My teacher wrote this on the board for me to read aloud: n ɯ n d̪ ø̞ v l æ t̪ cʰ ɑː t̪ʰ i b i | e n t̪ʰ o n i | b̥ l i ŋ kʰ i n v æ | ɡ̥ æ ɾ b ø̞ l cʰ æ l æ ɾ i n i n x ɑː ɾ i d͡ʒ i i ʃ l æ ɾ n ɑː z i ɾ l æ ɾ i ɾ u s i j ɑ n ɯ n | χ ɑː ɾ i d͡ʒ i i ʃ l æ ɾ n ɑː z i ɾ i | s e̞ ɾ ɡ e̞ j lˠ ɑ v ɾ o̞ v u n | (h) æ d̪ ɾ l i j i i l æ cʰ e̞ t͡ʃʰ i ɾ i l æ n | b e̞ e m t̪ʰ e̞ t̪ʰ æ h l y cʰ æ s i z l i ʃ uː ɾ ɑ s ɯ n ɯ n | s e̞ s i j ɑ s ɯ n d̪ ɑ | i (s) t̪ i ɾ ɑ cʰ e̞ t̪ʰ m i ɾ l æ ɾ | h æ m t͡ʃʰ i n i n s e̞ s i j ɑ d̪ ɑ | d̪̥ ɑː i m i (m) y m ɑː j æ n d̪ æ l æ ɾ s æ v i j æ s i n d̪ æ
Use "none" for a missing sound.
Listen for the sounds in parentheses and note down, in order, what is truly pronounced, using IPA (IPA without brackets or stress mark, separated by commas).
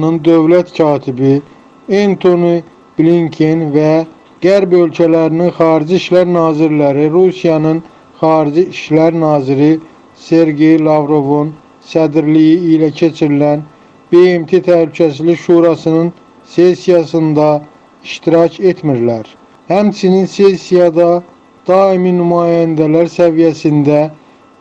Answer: s, ʃ, n